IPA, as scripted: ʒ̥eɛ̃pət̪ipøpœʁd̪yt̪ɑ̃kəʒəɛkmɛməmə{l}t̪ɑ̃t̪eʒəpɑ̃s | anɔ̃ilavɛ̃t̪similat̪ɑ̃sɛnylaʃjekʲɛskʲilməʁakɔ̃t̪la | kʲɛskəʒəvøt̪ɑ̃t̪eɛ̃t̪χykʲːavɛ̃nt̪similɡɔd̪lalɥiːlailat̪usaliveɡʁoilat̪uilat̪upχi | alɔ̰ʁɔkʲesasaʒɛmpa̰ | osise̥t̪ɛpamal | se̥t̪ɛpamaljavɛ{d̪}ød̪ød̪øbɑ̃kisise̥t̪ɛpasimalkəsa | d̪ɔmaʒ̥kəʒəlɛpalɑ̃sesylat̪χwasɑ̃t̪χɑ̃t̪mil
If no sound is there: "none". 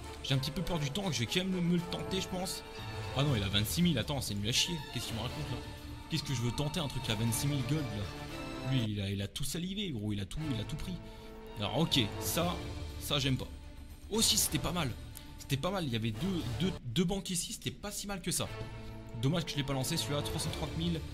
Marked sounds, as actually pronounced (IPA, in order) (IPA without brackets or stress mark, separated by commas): l, d̪